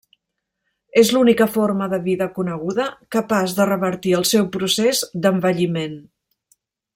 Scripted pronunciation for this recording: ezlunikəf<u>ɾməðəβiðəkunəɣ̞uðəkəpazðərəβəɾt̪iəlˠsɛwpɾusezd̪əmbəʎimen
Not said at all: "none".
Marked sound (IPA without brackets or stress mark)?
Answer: o